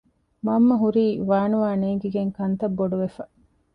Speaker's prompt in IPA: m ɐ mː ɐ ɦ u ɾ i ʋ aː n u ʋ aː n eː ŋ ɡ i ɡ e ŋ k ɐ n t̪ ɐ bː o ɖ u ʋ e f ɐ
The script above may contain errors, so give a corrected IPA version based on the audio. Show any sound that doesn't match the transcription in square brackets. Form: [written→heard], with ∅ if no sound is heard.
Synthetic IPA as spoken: m ɐ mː ɐ ɦ u ɾ [i→iː] ʋ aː n u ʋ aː n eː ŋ ɡ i ɡ e ŋ k ɐ n t̪ ɐ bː o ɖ u ʋ e f ɐ